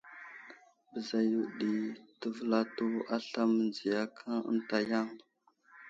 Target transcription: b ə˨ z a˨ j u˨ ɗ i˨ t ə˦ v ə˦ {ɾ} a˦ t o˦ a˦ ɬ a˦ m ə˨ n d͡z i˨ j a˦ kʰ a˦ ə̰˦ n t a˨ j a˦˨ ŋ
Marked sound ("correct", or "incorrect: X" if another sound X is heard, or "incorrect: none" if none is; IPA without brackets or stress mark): incorrect: l